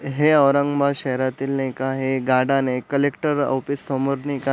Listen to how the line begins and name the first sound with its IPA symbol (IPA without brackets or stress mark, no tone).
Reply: ɦ